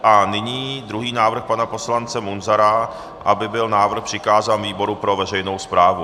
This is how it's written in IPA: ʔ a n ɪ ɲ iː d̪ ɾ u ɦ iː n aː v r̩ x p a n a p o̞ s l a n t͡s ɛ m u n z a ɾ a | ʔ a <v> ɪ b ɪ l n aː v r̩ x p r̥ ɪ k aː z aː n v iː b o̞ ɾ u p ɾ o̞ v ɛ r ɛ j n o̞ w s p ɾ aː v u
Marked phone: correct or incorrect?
incorrect